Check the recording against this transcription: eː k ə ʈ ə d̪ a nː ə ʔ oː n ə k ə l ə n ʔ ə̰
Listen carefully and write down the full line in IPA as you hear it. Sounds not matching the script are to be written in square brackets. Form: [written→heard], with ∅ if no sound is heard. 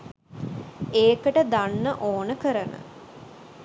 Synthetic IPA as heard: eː k ə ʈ ə d̪ a nː ə ʔ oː n ə k ə [l→ɾ] ə n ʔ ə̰